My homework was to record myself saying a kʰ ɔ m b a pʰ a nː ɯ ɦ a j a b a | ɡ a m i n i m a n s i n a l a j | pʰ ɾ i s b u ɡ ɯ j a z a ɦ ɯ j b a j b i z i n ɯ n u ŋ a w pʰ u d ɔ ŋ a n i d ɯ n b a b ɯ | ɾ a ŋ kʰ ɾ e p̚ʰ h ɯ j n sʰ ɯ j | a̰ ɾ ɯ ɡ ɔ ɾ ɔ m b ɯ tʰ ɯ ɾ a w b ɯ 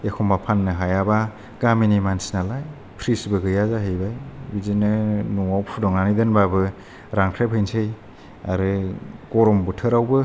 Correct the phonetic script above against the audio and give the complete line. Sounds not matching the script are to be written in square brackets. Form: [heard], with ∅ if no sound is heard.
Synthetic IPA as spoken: [e] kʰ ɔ m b a pʰ a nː ɯ ɦ a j a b a | ɡ a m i n i m a n s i n a l a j | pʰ ɾ i s b [ɯ] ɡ ɯ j a z a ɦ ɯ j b a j b i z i n ɯ n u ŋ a w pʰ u d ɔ ŋ a n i d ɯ n b a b ɯ | ɾ a ŋ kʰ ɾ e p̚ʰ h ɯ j n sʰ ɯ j | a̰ ɾ ɯ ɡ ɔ ɾ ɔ m b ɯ tʰ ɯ ɾ a w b ɯ